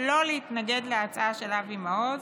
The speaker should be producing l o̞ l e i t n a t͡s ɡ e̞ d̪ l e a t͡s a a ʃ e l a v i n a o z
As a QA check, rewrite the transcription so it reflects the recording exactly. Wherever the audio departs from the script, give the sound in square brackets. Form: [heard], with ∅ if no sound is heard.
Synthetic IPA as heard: l o̞ l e i t n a [∅] ɡ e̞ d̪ l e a t͡s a a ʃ e l a v i [m] a o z